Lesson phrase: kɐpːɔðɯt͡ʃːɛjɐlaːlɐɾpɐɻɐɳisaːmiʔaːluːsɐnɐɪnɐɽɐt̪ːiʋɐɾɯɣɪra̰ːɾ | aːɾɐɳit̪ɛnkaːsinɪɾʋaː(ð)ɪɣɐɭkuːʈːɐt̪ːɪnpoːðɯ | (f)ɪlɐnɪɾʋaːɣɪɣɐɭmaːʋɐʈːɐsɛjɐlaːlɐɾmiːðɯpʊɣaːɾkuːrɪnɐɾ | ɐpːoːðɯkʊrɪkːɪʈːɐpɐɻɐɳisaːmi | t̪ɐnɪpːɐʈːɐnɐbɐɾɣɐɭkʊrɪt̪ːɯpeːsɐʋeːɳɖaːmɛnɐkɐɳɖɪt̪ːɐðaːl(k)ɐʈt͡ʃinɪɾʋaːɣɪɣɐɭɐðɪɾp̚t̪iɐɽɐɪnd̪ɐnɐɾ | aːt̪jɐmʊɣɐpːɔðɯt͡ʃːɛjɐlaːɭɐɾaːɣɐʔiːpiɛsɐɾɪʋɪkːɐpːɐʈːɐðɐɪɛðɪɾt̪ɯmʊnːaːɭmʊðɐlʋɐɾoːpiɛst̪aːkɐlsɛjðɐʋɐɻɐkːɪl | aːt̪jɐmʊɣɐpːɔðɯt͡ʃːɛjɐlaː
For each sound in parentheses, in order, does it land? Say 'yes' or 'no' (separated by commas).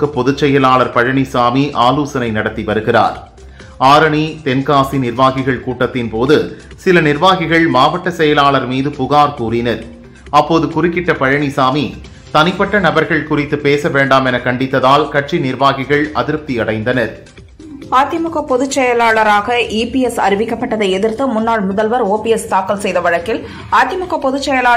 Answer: no, no, yes